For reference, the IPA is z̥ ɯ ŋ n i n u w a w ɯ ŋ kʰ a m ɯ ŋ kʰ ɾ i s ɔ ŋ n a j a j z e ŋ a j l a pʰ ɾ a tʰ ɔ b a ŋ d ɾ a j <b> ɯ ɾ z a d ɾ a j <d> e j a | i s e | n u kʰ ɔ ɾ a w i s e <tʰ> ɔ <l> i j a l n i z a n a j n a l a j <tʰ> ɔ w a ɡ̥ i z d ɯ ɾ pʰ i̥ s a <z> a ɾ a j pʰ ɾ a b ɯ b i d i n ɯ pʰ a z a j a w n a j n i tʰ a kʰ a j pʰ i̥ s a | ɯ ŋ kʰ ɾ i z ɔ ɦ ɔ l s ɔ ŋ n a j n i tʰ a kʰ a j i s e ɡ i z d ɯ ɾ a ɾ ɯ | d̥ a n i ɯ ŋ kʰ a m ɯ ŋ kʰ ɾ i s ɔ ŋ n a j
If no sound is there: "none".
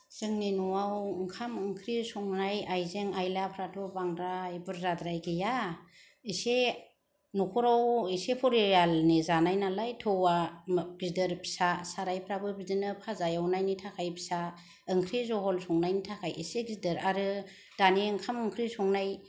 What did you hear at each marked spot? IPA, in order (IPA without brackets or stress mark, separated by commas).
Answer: b, ɡ, pʰ, ɾ, tʰ, s